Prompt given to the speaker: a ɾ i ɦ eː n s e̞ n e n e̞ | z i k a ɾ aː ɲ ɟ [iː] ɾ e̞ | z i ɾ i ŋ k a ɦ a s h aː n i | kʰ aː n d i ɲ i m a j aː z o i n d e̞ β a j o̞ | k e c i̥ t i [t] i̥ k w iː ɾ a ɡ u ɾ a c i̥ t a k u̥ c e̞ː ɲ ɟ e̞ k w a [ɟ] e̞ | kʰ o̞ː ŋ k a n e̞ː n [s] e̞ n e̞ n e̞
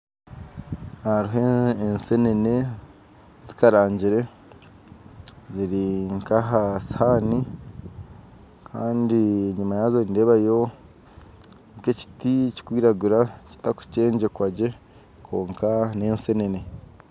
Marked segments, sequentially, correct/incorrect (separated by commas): incorrect, incorrect, correct, correct